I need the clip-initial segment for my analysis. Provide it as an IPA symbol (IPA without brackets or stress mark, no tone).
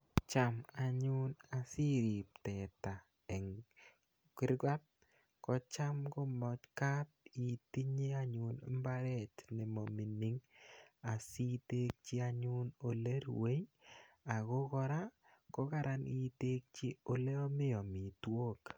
t͡ʃ